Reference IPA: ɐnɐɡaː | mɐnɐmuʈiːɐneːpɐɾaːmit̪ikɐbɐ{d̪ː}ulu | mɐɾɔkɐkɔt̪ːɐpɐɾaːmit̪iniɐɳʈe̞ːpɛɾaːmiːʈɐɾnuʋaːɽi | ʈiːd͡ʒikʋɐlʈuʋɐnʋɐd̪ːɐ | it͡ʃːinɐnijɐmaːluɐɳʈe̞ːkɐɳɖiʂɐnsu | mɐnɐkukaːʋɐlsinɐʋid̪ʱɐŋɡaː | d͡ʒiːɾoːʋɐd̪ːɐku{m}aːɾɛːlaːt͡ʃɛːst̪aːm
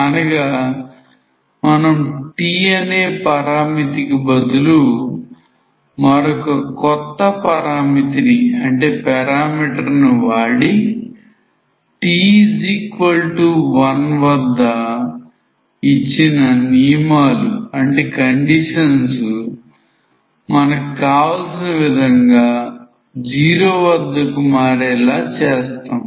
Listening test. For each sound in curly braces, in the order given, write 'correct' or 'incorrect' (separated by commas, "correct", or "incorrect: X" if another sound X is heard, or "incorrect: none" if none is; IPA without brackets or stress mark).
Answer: incorrect: d̪, correct